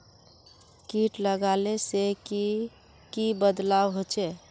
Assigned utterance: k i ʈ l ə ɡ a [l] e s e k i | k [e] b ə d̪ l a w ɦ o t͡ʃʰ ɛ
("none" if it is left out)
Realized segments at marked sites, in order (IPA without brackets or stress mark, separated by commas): l, i